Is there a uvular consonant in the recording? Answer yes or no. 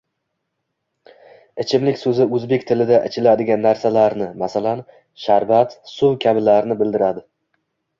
no